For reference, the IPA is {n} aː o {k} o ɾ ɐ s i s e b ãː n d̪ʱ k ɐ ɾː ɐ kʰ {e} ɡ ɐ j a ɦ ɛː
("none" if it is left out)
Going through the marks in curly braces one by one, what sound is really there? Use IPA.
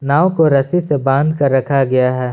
n, k, a

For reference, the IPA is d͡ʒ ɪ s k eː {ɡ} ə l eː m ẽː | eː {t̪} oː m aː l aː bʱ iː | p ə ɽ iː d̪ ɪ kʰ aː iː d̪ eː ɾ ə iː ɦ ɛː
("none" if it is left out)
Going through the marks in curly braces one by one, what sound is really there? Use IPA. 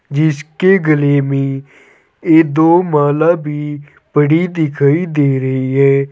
ɡ, d̪

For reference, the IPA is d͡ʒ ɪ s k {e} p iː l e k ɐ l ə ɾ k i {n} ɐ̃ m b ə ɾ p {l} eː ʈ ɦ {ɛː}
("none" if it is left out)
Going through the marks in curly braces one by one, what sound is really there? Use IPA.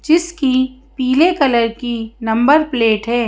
i, n, l, ɛː

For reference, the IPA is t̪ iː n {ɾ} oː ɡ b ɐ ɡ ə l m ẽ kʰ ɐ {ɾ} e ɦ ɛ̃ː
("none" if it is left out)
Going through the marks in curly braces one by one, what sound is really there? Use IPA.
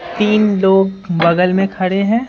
l, ɽ

